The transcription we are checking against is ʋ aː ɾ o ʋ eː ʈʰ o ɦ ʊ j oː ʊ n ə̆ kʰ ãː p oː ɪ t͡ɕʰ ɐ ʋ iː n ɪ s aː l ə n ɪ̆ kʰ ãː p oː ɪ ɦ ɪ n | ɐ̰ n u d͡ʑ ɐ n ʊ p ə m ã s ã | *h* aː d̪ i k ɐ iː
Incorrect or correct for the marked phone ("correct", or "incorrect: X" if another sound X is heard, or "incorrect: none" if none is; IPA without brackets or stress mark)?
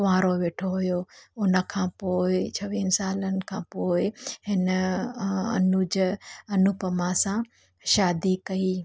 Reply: incorrect: ʃ